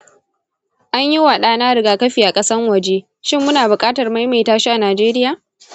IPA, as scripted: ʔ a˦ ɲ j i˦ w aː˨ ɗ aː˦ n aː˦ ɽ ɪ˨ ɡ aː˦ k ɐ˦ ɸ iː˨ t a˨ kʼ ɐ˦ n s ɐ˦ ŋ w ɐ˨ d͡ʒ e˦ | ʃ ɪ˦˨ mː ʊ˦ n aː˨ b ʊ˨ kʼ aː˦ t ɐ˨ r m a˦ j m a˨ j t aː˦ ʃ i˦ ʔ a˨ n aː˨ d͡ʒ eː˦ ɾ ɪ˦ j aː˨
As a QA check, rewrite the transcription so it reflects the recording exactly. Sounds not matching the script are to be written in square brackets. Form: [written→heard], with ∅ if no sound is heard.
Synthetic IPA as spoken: ʔ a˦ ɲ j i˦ w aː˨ ɗ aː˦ n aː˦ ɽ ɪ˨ ɡ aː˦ k ɐ˦ ɸ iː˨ [t→ʔ] a˨ kʼ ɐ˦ [n→∅] s ɐ˦ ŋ w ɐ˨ d͡ʒ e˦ | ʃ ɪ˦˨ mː ʊ˦ n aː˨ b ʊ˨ kʼ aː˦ t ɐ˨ r m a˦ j m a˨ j t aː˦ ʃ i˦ ʔ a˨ n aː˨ d͡ʒ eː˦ ɾ ɪ˦ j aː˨